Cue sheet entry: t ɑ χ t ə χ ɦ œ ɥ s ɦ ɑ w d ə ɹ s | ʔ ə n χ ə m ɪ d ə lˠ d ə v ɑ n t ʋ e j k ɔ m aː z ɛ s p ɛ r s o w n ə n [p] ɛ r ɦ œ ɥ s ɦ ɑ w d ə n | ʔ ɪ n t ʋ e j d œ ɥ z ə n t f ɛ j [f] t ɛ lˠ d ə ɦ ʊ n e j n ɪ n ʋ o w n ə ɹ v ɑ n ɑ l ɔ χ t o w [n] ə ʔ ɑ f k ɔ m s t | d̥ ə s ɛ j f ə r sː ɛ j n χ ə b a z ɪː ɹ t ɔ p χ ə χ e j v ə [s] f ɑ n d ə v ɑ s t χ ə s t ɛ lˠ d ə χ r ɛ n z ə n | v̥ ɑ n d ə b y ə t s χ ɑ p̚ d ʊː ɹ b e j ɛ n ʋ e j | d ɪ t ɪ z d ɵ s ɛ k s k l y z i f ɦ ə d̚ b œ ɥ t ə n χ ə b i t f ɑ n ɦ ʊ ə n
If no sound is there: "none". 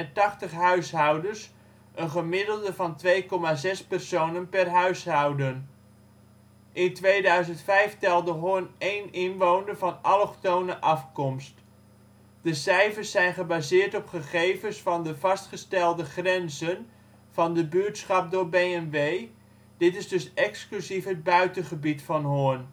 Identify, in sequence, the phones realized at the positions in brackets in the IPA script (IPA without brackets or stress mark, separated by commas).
p, f, n, s